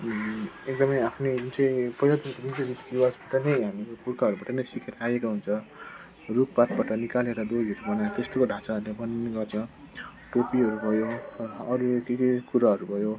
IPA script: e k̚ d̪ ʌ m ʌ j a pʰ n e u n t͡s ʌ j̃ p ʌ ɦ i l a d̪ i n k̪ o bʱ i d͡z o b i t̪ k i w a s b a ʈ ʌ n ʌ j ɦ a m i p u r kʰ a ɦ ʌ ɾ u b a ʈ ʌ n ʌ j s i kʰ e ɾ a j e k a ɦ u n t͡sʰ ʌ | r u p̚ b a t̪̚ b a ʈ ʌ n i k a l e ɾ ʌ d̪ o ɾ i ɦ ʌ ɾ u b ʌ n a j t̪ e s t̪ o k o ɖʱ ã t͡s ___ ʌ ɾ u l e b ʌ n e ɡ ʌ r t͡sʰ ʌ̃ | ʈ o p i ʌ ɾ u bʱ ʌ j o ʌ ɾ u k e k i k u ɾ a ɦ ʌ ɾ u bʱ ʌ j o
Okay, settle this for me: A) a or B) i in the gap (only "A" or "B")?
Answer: A